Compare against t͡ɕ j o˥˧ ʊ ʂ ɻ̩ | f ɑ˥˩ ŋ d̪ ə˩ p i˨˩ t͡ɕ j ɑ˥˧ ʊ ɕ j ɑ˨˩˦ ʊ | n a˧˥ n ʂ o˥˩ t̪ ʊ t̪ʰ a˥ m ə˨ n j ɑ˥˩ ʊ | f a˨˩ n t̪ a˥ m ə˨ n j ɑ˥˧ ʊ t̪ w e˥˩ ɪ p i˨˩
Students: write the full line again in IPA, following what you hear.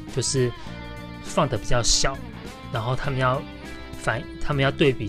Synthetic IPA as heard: t͡ɕ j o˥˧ ʊ ʂ ɻ̩ | f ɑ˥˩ ŋ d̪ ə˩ p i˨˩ t͡ɕ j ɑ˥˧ ʊ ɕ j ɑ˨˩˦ ʊ | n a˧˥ n x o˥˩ ʊ t̪ʰ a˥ m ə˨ n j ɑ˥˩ ʊ | f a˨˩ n t̪ʰ a˥ m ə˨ n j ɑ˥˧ ʊ t̪ w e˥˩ ɪ p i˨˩